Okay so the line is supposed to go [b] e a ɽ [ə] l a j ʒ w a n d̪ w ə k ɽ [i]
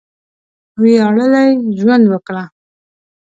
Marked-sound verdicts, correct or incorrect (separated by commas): incorrect, correct, incorrect